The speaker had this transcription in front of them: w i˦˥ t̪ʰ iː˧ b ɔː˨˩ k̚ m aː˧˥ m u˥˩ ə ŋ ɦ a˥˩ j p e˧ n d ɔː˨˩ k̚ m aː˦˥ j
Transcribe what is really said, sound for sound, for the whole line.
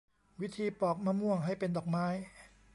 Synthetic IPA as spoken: w i˦˥ t̪ʰ iː˧ p ɔː˨˩ k̚ m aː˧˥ m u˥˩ ə ŋ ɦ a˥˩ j p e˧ n d ɔː˨˩ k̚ m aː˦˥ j